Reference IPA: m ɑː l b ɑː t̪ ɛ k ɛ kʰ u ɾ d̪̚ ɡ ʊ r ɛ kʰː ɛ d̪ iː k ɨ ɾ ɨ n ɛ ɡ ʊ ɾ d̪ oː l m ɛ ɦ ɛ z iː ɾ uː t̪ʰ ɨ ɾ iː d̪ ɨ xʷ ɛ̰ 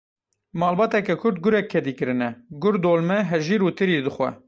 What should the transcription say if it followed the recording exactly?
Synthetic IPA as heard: m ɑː l b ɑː t̪ ɛ k ɛ kʰ ʊ ɾ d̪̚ ɡ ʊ ɾ ɛ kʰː ɛ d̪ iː k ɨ ɾ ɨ n ɛ ɡ ʊ ɾ d̪ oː l m ɛ ɦ ɛ ʒ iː ɾ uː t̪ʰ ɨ ɾ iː d̪ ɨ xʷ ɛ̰